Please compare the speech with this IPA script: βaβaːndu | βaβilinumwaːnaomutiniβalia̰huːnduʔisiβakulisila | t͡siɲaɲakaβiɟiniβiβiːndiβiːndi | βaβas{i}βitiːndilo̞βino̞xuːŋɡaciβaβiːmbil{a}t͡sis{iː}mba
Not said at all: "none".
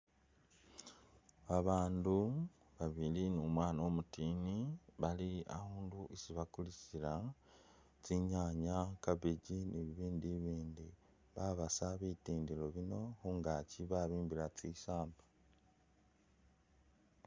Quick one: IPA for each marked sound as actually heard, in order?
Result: a, a, aː

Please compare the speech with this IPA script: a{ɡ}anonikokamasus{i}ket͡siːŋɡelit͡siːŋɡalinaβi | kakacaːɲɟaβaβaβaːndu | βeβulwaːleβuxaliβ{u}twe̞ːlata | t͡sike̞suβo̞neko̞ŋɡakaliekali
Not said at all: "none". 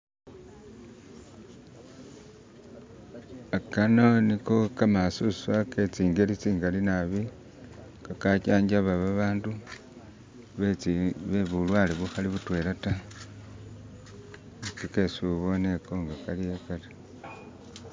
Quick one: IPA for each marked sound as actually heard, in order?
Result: k, a, u

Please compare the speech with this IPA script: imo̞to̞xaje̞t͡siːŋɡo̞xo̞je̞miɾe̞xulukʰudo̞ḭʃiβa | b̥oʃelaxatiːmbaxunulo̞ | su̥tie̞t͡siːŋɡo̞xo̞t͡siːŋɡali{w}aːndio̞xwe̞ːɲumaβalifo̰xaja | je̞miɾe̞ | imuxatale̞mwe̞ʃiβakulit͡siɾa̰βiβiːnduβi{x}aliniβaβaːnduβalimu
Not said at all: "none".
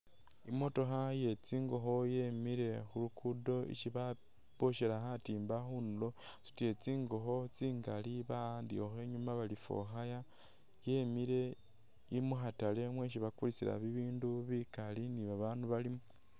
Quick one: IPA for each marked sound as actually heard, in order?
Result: β, k

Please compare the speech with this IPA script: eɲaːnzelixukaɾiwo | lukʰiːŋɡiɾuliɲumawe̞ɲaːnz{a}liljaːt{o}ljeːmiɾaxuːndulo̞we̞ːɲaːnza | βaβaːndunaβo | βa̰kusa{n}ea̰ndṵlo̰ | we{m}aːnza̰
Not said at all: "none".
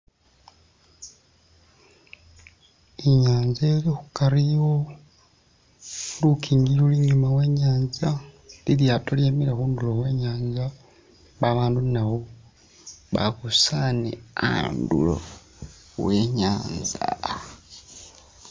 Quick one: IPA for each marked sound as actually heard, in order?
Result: a, o, n, ɲ

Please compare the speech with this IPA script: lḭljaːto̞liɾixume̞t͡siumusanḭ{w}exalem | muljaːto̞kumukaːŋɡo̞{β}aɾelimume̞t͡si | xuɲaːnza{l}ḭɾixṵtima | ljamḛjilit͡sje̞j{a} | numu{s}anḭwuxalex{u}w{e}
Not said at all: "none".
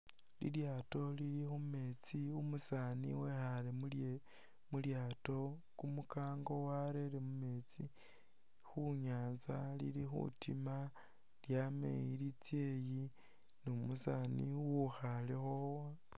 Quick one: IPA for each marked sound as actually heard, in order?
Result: w, w, l, i, s, o, a

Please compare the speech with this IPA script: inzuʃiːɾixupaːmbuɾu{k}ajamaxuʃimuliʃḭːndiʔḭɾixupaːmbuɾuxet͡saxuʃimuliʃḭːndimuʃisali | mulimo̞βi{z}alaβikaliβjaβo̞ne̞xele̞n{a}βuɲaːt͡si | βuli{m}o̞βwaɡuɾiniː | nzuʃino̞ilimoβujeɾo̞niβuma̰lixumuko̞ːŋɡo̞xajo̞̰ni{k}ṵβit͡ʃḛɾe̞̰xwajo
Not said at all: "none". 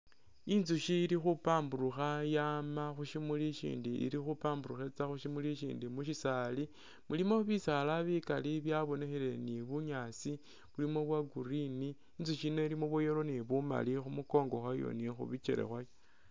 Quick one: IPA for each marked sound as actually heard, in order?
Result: x, s, i, m, x

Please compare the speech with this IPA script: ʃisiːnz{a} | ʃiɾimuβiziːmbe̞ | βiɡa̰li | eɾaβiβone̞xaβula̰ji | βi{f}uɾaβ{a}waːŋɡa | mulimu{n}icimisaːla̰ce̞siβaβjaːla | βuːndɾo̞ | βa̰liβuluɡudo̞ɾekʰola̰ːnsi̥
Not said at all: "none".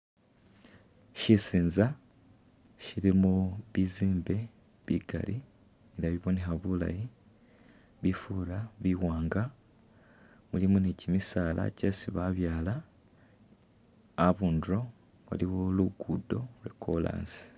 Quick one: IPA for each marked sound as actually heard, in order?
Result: a, f, i, n

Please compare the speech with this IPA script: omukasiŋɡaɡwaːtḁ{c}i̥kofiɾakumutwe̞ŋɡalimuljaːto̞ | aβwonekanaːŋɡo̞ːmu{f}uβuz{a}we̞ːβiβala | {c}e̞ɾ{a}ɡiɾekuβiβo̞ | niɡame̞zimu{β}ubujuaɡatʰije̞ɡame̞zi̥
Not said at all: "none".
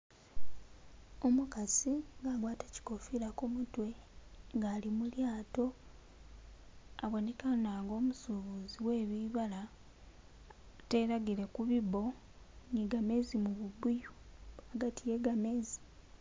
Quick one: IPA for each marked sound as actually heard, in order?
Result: c, s, i, t, a, β

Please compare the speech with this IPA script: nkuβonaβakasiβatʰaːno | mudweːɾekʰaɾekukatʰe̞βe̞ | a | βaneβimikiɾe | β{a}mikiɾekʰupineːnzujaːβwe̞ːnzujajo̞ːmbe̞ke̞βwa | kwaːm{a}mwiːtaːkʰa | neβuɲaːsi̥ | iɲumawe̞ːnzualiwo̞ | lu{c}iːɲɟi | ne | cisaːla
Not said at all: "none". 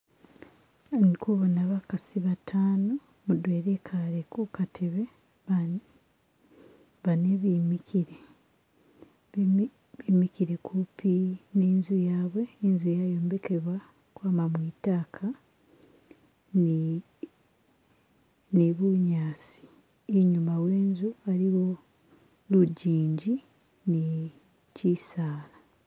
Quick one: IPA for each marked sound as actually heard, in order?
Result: i, a, ɟ

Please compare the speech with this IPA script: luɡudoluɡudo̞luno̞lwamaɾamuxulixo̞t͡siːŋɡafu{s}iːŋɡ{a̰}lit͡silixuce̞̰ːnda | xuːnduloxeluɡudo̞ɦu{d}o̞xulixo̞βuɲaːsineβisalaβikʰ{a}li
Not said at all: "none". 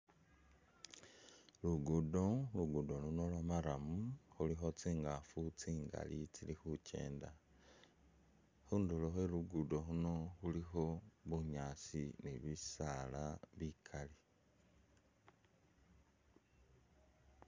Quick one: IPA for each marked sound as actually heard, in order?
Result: t͡s, a̰, n, a

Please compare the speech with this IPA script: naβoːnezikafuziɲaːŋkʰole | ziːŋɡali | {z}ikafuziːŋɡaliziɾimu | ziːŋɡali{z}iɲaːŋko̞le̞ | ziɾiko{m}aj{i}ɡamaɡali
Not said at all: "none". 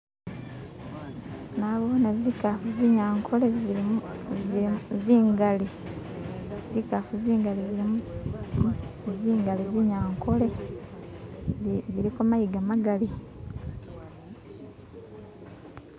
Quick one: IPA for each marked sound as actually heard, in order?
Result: z, z, m, i

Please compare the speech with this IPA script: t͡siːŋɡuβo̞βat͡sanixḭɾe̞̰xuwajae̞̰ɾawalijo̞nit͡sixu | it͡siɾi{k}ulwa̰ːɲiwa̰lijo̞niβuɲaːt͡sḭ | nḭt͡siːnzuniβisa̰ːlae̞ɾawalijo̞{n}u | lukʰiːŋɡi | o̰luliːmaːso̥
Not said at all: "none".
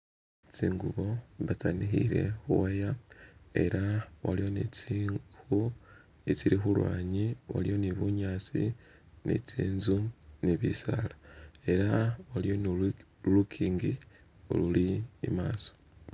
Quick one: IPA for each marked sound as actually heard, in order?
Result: x, n

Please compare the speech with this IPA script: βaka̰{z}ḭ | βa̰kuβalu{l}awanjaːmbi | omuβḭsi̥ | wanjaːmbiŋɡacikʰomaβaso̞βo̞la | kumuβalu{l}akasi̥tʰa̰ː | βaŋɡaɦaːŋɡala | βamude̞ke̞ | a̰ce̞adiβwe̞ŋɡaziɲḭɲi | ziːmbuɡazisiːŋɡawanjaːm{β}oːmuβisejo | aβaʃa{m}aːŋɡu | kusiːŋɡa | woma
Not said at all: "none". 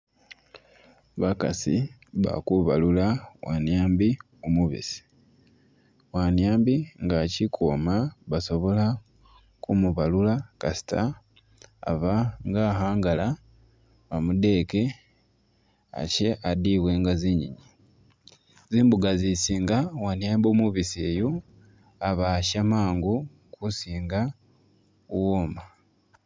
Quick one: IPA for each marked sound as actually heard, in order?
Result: s, l, l, b, m

